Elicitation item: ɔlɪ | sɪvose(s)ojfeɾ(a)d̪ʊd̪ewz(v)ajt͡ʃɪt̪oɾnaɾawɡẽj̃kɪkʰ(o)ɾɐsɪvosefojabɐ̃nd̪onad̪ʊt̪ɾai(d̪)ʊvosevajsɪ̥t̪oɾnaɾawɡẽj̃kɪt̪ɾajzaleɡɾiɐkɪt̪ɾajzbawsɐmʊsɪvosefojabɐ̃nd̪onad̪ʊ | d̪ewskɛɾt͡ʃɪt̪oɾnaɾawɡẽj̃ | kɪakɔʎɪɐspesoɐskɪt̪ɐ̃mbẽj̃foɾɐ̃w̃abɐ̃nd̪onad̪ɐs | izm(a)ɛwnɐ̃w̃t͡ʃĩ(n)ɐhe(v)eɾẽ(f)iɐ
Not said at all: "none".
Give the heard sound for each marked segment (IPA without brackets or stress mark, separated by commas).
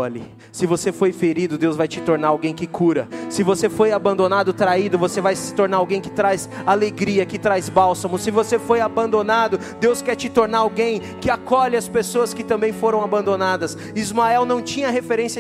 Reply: f, i, v, u, d̪, a, ɲ, f, s